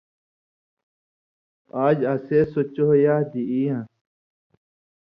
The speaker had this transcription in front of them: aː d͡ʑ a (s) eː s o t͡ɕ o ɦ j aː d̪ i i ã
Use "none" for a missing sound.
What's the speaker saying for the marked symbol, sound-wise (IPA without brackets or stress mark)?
s